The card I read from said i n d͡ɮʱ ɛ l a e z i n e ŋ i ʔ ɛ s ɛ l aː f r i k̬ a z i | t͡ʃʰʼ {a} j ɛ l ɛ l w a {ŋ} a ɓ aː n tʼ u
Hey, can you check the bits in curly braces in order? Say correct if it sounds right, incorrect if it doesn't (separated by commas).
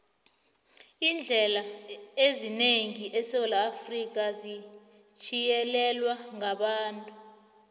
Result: incorrect, correct